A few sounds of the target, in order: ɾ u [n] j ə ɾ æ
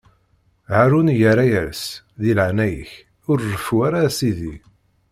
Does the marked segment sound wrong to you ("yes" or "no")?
no